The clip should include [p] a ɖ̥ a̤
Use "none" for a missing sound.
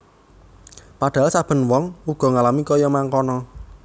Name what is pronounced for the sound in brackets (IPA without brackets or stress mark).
p